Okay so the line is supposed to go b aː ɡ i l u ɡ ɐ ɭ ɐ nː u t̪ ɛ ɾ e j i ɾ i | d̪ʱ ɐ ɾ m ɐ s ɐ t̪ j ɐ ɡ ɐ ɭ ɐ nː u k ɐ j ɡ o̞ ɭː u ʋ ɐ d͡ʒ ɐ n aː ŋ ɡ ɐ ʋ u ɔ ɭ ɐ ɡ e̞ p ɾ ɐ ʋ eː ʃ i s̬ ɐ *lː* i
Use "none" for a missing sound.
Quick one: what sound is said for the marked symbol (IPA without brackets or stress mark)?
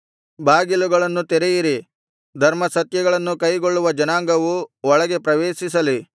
l